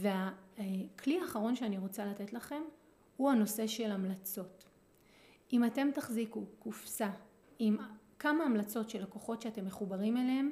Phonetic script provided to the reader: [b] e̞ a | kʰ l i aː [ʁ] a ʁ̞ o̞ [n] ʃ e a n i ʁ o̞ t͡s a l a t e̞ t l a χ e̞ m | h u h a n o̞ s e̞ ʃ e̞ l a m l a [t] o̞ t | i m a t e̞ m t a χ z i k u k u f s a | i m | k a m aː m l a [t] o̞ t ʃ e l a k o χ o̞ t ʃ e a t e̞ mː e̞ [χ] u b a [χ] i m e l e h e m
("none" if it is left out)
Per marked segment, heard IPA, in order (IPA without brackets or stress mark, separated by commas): v, χ, n, t͡s, t͡s, χ, ʁ